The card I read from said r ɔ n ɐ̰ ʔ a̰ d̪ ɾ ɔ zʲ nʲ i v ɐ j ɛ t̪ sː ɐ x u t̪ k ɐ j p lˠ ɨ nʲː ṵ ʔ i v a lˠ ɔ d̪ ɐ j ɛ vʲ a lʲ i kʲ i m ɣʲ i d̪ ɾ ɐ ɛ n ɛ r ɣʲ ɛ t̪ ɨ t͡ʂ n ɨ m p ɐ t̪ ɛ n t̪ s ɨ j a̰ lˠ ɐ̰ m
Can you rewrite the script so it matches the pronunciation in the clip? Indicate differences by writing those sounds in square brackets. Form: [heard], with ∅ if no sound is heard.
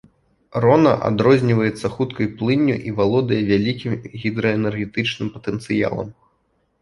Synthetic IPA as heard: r ɔ n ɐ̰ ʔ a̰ d̪ ɾ ɔ zʲ nʲ i v ɐ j ɛ t̪ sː ɐ x u t̪ k ɐ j p lˠ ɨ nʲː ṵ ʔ i v a lˠ ɔ d̪ ɐ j ɛ vʲ a lʲ i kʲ i m ɣʲ i d̪ ɾ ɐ ɛ n ɛ r ɣʲ ɛ t̪ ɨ t͡ʂ n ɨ m p ɐ t̪ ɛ n t̪ s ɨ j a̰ lˠ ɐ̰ m